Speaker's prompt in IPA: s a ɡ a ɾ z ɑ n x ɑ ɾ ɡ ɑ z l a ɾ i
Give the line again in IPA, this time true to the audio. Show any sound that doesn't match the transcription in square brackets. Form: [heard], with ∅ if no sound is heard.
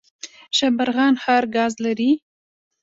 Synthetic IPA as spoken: [ʃ] a [b] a ɾ [ɣ] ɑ n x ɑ ɾ ɡ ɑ z l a ɾ i